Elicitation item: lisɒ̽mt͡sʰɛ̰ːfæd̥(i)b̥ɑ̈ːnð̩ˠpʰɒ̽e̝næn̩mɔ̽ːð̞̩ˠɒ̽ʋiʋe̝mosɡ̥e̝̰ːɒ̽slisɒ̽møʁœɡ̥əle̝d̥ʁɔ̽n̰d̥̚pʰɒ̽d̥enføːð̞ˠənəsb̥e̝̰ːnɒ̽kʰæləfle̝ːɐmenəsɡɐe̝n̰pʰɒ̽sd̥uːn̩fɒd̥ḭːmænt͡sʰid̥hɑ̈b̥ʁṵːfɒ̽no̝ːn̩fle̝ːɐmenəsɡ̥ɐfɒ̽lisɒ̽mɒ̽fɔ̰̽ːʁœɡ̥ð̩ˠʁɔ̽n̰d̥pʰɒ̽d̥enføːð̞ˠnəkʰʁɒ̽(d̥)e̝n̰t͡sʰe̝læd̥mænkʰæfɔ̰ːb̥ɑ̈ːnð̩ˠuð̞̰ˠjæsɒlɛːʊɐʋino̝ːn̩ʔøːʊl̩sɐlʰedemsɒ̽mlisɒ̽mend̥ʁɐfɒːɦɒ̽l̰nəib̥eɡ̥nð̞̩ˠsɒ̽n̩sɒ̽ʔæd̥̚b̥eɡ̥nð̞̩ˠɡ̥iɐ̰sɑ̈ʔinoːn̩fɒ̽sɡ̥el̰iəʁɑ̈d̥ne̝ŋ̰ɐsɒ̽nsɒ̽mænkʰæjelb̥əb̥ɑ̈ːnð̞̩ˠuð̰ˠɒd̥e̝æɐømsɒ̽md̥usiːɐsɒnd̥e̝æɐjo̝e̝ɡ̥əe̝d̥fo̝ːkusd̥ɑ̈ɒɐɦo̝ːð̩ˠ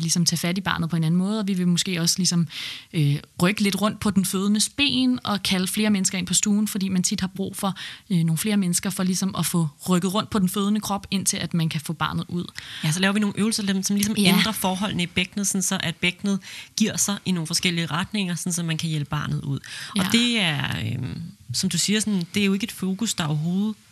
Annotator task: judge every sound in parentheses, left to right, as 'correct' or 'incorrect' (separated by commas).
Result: correct, incorrect